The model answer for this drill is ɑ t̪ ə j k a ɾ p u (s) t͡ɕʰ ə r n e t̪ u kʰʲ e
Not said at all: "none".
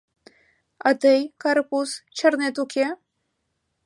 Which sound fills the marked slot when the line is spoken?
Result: s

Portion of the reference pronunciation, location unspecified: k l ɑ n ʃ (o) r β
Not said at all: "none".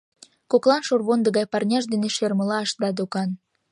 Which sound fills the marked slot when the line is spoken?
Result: o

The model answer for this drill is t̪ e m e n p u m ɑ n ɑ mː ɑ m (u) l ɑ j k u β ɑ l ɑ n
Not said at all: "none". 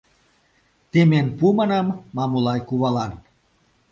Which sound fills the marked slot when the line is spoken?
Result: u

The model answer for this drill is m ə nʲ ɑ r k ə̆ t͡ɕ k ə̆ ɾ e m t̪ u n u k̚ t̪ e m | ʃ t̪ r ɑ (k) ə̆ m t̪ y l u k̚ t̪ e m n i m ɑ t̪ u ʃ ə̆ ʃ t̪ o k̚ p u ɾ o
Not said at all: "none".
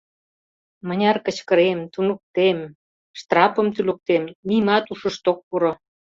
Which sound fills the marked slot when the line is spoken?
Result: p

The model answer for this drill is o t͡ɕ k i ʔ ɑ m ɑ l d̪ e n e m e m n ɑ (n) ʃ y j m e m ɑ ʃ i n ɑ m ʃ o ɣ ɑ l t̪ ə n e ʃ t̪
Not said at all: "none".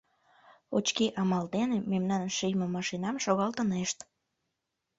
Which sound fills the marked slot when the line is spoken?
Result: n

